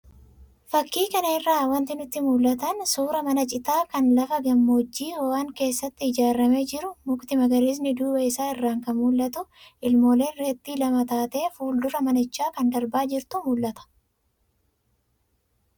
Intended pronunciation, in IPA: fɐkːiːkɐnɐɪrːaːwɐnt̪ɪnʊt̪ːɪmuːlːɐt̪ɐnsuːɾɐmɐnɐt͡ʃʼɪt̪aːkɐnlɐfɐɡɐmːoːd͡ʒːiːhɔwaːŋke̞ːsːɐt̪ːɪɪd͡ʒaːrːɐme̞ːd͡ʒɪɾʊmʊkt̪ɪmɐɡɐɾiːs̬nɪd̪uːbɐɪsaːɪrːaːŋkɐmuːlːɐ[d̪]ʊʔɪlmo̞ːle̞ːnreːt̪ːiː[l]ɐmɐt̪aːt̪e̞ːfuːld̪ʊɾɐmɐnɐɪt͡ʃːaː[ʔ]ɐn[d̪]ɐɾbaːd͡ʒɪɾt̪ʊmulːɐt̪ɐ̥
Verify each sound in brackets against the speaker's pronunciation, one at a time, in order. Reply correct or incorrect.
incorrect, correct, incorrect, correct

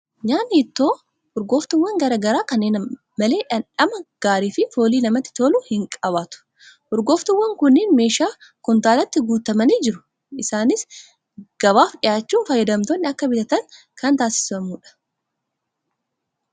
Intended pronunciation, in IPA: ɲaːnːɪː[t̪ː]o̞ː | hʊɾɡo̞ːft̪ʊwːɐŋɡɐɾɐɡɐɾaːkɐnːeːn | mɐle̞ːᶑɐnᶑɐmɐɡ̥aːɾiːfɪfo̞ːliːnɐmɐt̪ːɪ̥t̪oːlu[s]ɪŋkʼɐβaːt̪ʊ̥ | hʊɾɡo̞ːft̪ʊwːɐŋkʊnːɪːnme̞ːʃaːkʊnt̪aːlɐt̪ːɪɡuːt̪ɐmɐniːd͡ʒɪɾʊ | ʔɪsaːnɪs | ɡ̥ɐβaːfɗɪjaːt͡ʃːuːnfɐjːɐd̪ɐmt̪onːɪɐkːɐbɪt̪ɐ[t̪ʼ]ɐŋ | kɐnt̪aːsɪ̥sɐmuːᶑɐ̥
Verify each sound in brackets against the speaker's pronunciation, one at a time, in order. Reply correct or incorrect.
correct, incorrect, incorrect

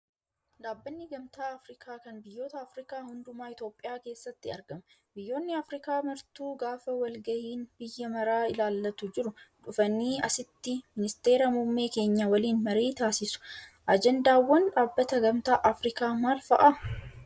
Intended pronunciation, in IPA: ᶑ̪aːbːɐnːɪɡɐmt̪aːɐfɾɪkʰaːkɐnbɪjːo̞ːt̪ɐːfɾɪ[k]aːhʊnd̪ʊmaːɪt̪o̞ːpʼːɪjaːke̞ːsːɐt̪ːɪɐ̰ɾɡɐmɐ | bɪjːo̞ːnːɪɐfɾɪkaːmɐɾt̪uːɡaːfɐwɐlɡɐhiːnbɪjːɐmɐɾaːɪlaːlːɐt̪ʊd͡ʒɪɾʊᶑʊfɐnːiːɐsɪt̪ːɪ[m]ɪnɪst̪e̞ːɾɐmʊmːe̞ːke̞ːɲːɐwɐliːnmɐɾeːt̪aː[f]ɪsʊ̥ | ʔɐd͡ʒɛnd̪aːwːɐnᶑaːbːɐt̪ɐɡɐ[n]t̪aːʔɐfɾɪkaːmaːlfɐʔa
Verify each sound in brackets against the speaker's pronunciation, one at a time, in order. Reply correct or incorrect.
correct, correct, incorrect, incorrect

